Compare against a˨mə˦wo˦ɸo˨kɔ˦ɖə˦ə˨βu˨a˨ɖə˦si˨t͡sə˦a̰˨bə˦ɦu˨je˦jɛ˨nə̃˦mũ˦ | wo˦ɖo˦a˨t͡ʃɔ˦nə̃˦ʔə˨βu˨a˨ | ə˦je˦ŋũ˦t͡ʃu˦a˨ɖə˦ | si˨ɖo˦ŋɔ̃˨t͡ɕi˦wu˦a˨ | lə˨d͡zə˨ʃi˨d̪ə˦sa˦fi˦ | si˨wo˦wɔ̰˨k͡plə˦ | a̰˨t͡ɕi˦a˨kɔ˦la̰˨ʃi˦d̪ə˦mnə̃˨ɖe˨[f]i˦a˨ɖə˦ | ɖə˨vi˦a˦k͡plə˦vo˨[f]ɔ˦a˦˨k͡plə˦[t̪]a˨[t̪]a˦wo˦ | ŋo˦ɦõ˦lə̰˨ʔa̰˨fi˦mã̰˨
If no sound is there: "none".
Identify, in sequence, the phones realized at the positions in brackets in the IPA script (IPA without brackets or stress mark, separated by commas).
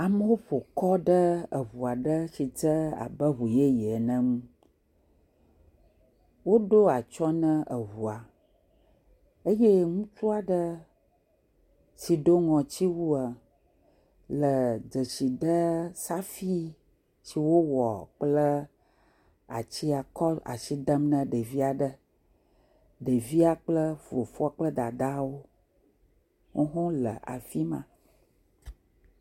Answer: v, f, d̪, d̪